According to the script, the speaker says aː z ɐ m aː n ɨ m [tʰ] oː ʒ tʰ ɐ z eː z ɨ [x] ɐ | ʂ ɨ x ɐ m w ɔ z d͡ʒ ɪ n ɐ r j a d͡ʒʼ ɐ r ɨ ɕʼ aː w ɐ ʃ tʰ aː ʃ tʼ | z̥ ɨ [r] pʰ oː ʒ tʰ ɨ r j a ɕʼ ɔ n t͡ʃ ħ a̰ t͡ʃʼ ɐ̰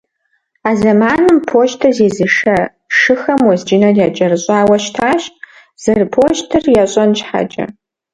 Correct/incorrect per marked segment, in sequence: incorrect: pʰ, incorrect: ʂ, correct

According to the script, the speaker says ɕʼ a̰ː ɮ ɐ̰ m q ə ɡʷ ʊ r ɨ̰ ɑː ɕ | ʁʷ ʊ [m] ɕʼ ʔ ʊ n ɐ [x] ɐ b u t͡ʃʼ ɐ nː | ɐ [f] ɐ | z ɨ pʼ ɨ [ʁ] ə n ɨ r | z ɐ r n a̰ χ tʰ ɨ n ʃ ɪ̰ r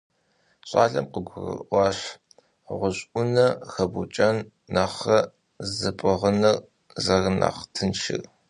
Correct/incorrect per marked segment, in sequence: incorrect: none, correct, incorrect: χ, correct

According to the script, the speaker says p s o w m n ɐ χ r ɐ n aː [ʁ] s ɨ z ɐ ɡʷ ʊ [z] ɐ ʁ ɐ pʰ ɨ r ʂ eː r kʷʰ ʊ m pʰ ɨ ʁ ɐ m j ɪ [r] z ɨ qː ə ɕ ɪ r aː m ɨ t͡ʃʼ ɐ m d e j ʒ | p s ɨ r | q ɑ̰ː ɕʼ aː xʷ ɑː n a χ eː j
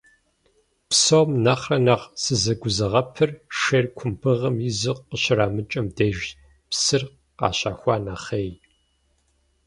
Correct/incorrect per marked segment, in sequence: correct, correct, incorrect: none

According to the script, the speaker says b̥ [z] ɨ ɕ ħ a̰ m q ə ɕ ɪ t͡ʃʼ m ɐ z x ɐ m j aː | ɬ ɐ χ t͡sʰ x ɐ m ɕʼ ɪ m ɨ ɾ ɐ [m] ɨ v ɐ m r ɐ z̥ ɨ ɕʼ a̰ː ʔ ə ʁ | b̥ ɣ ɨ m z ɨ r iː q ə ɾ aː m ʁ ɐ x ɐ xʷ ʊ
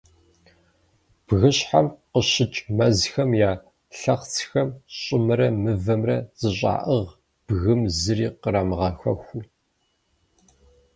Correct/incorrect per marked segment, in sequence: incorrect: ɣ, correct

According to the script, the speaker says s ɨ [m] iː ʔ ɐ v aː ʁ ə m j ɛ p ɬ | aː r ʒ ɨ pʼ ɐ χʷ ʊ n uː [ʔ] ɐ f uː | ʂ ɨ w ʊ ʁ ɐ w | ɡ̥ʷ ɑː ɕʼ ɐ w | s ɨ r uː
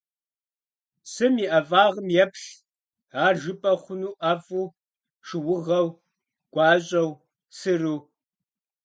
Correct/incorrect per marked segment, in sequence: correct, correct

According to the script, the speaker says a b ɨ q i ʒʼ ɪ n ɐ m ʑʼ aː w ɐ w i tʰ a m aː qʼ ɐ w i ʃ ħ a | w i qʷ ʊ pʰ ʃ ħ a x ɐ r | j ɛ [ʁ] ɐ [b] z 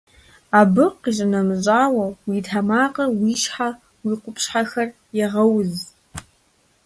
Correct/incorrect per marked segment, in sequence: correct, incorrect: w

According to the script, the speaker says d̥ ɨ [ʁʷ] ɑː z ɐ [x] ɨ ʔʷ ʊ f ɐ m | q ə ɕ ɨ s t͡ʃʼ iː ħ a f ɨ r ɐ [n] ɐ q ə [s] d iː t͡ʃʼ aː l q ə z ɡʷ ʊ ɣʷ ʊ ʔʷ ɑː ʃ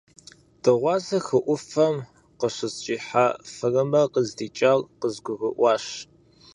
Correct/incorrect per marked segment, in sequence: correct, correct, incorrect: m, incorrect: z

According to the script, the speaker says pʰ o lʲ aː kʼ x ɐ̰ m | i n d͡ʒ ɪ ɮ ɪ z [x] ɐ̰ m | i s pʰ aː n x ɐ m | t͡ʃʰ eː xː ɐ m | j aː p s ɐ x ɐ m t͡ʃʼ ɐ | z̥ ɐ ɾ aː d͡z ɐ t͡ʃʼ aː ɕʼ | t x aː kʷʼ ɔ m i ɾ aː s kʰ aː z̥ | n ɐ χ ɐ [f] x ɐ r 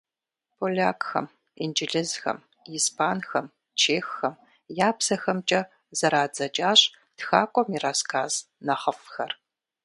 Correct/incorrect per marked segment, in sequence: correct, correct

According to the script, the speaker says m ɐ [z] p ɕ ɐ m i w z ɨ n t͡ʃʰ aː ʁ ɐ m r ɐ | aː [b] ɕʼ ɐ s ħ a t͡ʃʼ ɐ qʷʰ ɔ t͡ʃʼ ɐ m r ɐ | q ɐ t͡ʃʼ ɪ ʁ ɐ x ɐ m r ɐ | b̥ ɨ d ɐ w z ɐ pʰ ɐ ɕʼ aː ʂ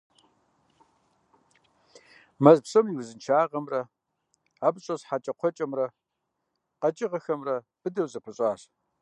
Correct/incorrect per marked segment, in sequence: correct, correct

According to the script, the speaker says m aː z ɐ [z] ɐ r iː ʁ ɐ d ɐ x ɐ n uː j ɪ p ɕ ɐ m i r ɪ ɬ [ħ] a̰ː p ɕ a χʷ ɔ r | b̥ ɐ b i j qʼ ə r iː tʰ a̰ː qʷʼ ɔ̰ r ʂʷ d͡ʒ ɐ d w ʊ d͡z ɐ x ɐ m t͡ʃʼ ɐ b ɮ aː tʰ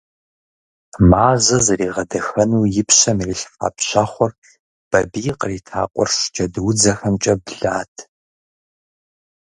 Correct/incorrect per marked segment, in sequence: correct, incorrect: f

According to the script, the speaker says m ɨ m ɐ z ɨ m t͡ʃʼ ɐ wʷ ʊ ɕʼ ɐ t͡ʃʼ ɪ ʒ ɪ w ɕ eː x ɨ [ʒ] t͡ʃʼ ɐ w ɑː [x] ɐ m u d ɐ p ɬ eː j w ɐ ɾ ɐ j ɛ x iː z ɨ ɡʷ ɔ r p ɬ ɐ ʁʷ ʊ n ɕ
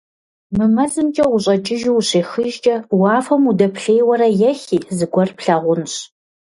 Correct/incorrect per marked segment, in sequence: correct, incorrect: f

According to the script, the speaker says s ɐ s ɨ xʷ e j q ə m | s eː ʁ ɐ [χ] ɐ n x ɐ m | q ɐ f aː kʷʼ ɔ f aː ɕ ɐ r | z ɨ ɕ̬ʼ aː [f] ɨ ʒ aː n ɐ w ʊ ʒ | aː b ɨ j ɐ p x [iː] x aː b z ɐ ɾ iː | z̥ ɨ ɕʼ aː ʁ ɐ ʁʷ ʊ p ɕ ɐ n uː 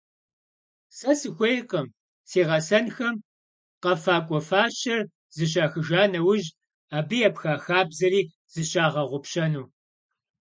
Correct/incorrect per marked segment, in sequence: incorrect: s, incorrect: x, incorrect: aː

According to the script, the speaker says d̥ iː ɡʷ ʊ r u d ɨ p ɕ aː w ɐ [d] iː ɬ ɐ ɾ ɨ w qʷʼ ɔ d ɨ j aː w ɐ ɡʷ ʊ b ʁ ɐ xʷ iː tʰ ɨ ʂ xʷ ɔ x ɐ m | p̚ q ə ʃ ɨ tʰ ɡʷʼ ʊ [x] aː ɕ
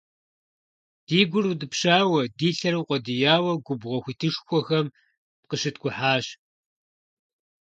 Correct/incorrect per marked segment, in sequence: correct, incorrect: ħ

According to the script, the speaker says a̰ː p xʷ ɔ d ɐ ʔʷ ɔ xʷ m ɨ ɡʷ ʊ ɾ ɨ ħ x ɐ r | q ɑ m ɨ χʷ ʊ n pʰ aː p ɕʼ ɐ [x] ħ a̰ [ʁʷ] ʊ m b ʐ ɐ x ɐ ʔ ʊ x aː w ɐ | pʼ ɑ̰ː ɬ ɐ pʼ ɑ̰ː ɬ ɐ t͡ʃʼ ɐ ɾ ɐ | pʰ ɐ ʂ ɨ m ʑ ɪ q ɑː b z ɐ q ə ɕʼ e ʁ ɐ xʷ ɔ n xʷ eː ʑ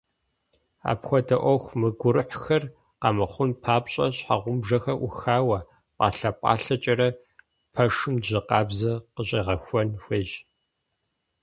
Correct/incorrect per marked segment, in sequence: incorrect: ɕ, correct

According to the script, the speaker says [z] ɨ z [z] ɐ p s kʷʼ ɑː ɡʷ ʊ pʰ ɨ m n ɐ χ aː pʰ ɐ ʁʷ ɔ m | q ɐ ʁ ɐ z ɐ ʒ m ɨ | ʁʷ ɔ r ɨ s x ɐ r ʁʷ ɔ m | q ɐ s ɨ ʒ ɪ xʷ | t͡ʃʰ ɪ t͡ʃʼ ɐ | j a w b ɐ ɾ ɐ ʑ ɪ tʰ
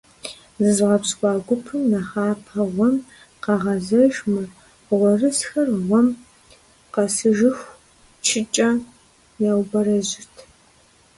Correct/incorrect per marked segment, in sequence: correct, incorrect: ʁ

